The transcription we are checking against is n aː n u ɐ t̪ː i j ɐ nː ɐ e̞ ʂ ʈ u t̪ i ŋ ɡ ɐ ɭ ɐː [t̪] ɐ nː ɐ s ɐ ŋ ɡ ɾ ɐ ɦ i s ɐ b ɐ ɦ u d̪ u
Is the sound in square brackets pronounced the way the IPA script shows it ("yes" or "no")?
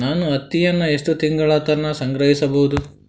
yes